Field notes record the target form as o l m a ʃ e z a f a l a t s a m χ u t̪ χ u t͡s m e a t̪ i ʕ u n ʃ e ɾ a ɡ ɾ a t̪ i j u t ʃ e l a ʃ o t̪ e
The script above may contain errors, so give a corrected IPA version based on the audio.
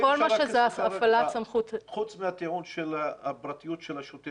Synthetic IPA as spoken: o l m a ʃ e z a f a l a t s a m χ u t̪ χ u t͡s m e a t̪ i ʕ u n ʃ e l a b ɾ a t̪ i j u t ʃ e l a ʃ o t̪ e